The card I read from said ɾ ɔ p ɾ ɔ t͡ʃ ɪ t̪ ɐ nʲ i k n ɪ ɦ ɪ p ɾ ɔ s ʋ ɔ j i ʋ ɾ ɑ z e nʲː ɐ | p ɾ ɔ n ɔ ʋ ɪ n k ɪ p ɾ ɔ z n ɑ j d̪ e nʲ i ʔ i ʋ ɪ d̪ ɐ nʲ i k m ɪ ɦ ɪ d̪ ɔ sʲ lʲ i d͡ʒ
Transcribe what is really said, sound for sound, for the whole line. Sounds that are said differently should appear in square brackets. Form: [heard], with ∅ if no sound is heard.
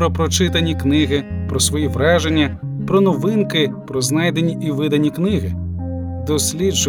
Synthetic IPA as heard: ɾ ɔ p ɾ ɔ t͡ʃ ɪ t̪ ɐ nʲ i k n ɪ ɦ ɪ p ɾ ɔ s ʋ ɔ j i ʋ ɾ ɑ [ʒ] e nʲː ɐ | p ɾ ɔ n ɔ ʋ ɪ n k ɪ p ɾ ɔ z n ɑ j d̪ e nʲ i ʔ i ʋ ɪ d̪ ɐ nʲ i k [n] ɪ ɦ ɪ d̪ ɔ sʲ lʲ i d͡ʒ